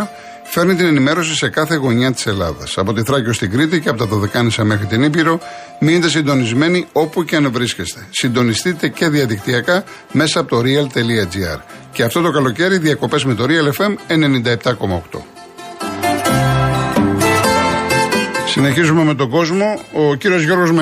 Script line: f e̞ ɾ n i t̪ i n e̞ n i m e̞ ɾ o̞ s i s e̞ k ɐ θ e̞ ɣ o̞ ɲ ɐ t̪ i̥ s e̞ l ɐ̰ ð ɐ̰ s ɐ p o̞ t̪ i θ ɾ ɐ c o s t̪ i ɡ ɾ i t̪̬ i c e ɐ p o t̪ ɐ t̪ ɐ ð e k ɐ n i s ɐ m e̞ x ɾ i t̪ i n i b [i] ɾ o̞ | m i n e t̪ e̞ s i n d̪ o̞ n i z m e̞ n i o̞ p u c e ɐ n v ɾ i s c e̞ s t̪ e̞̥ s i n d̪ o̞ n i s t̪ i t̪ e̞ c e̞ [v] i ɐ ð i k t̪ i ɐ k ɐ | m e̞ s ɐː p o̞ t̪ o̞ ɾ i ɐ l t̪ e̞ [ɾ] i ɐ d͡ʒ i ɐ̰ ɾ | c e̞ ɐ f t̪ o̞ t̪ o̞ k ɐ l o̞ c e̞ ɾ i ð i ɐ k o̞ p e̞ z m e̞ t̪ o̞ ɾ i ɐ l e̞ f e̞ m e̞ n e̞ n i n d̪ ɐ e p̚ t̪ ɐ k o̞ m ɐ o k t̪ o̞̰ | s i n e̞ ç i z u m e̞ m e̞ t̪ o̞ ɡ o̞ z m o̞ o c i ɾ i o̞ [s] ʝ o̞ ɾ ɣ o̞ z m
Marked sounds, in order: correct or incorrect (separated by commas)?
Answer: correct, incorrect, incorrect, incorrect